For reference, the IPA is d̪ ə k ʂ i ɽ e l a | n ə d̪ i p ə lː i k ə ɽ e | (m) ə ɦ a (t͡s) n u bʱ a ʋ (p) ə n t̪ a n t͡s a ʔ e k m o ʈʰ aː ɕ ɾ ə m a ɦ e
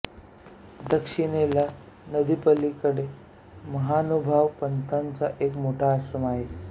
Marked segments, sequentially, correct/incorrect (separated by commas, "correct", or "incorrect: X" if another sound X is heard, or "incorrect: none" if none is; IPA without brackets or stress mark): correct, incorrect: none, correct